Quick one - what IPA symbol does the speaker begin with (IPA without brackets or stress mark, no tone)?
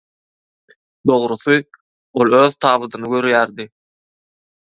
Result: d̪